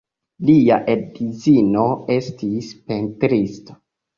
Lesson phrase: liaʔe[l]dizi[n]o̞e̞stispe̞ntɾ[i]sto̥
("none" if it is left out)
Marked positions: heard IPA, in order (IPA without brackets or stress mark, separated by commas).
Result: none, n, i